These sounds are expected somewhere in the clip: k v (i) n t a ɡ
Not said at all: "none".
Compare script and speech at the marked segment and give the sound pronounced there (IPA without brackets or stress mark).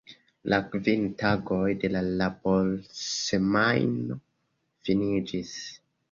i